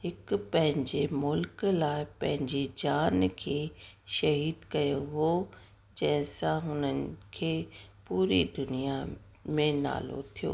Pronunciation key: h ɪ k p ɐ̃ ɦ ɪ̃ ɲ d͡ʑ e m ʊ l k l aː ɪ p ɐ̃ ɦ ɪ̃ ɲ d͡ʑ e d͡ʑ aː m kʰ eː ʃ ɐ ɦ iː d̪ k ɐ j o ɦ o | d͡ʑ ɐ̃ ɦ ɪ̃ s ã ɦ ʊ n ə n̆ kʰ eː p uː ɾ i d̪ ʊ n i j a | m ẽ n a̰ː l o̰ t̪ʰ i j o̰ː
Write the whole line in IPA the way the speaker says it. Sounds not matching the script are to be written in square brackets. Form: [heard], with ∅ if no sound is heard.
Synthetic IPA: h ɪ k p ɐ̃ ɦ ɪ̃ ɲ d͡ʑ e m ʊ l k l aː ɪ p ɐ̃ ɦ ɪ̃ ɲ d͡ʑ e d͡ʑ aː [n] kʰ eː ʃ ɐ ɦ iː d̪ k ɐ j o ɦ o | d͡ʑ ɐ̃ ɦ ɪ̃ s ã ɦ ʊ n ə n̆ kʰ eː p uː ɾ i d̪ ʊ n i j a | m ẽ n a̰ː l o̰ t̪ʰ i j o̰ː

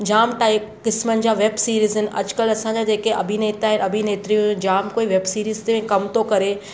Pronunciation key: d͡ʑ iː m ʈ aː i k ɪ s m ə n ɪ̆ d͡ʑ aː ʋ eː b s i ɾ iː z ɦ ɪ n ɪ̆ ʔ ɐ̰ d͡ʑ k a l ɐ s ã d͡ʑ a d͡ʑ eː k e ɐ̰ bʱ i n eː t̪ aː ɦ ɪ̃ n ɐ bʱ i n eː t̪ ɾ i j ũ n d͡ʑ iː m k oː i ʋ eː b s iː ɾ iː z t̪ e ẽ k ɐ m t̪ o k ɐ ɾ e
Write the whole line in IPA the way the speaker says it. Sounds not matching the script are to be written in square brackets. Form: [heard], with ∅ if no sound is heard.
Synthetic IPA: d͡ʑ [aː] m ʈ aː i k ɪ s m ə n ɪ̆ d͡ʑ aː ʋ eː b s [iː] ɾ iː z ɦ ɪ n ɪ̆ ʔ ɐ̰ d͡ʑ k [ə] l ɐ s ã d͡ʑ a d͡ʑ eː k e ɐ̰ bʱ i n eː t̪ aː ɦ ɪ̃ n ɐ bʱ i n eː t̪ ɾ i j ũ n d͡ʑ [aː] m k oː i ʋ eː b s iː ɾ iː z t̪ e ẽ k ɐ m t̪ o k ɐ ɾ e

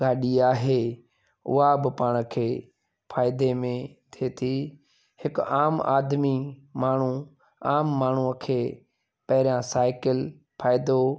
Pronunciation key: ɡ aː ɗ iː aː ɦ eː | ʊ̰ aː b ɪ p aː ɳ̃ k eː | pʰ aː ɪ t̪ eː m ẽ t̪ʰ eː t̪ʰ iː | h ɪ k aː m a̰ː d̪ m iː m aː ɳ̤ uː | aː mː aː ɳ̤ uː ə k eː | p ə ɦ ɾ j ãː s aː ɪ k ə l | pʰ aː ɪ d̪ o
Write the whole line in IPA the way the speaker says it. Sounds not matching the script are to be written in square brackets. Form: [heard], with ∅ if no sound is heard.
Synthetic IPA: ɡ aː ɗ iː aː ɦ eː | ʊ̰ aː b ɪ p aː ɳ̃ [kʰ] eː | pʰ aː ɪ [d̪] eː m ẽ t̪ʰ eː t̪ʰ iː | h ɪ k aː m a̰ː d̪ m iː m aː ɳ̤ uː | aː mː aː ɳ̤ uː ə [kʰ] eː | p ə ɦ ɾ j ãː s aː ɪ k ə l | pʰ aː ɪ d̪ o

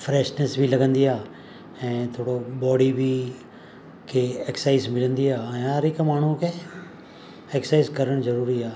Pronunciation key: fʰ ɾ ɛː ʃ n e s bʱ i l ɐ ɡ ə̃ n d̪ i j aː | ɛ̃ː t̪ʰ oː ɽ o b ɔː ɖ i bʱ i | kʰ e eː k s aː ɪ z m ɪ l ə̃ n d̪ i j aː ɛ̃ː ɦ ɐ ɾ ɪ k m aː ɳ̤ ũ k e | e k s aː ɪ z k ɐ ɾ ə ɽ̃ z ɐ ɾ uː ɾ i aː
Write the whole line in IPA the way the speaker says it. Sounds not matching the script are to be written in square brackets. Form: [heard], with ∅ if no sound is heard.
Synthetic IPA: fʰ ɾ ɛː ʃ n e s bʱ i l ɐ ɡ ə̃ n d̪ i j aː | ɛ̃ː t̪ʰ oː ɽ o b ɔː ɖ i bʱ i | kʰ e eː k s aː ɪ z m ɪ l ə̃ n d̪ i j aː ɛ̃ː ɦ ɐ ɾ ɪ k m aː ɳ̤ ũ k e | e k s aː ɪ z k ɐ ɾ ə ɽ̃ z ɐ ɾ uː ɾ i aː

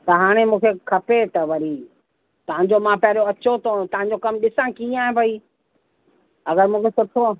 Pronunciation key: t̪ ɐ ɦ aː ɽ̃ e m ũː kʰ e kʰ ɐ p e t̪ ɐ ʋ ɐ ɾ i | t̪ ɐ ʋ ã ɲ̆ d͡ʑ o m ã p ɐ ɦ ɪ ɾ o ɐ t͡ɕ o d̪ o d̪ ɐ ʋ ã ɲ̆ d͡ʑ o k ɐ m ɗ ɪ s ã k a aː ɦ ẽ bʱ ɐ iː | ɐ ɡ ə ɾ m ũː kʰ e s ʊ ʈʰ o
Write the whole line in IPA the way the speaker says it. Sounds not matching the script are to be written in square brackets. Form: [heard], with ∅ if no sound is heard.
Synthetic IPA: t̪ ɐ ɦ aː ɽ̃ e m ũː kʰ e kʰ ɐ p e t̪ ɐ ʋ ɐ ɾ i | t̪ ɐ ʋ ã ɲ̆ d͡ʑ o m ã p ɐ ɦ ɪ ɾ o ɐ t͡ɕ o [t̪] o [t̪] ɐ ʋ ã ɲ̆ d͡ʑ o k ɐ m ɗ ɪ s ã k [i] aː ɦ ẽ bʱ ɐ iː | ɐ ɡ ə ɾ m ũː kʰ e s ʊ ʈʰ o

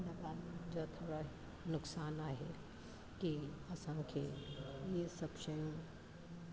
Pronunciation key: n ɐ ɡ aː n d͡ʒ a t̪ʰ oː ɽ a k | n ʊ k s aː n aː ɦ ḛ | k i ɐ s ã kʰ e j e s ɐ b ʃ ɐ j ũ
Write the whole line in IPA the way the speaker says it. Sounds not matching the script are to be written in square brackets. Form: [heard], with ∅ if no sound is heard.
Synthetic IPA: n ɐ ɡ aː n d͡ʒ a t̪ʰ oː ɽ a [∅] | n ʊ k s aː n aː ɦ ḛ | k i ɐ s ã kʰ e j e s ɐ b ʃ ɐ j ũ

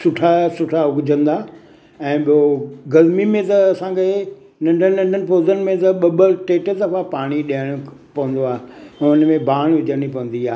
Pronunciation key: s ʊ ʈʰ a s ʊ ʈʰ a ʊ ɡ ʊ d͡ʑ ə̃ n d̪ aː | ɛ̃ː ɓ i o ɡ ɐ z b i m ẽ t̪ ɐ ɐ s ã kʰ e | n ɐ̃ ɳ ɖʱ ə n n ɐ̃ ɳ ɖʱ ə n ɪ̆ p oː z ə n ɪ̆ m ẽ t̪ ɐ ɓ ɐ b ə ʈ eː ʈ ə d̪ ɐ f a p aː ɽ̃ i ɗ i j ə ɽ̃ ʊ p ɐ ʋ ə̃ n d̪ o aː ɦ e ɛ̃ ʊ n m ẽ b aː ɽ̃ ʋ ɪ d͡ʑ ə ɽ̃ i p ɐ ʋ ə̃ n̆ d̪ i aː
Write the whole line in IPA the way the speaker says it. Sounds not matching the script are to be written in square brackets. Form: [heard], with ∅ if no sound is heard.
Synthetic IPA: s ʊ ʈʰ a s ʊ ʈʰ a ʊ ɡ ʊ d͡ʑ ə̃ n d̪ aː | ɛ̃ː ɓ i o ɡ ɐ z [m] i m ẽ t̪ ɐ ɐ s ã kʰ e | n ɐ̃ ɳ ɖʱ ə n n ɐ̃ ɳ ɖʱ ə n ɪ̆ p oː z ə n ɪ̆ m ẽ t̪ ɐ ɓ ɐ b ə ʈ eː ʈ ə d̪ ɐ f a p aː ɽ̃ i ɗ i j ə ɽ̃ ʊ p ɐ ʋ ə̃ n d̪ o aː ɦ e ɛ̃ ʊ n m ẽ b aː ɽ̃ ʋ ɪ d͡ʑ ə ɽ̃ i p ɐ ʋ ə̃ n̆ d̪ i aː

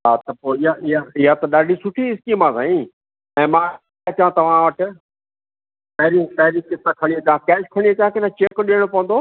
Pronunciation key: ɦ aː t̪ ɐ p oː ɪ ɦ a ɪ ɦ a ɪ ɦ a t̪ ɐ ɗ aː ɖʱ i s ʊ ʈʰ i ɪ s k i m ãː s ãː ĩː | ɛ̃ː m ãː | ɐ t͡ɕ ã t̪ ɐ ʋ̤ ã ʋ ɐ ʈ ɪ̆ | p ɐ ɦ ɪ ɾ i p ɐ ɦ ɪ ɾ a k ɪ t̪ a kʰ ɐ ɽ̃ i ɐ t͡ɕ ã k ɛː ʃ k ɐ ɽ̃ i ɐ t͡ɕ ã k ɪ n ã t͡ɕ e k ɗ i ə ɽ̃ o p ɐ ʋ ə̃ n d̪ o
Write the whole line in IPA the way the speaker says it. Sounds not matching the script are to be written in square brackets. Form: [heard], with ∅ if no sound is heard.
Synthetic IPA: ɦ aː t̪ ɐ p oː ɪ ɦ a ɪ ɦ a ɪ ɦ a t̪ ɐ ɗ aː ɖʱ i s ʊ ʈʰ i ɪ s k i m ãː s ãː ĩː | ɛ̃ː m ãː | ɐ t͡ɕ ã t̪ ɐ ʋ̤ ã ʋ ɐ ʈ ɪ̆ | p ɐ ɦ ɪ ɾ i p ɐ ɦ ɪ ɾ [i] k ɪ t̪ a kʰ ɐ ɽ̃ i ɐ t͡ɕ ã k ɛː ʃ [kʰ] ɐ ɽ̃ i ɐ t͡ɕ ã k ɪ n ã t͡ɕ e k ɗ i ə ɽ̃ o p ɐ ʋ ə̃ n d̪ o

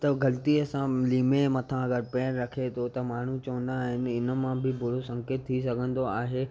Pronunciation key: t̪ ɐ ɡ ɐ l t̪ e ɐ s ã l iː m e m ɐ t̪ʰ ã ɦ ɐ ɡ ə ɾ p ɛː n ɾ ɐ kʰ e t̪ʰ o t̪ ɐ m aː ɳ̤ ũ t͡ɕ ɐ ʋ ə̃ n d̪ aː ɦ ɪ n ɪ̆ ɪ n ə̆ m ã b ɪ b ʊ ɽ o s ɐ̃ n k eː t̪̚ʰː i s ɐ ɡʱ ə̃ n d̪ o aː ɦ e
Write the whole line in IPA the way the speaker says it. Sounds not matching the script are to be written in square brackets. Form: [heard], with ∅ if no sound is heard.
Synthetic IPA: t̪ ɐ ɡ ɐ l t̪ [i] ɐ s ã l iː m e m ɐ t̪ʰ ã [∅] ɐ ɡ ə ɾ p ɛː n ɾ ɐ kʰ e t̪ʰ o t̪ ɐ m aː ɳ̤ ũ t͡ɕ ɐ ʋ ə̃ n d̪ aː ɦ ɪ n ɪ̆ ɪ n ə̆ m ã b ɪ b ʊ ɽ o s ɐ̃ [ŋ] k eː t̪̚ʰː i s ɐ ɡʱ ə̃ n d̪ o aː ɦ e

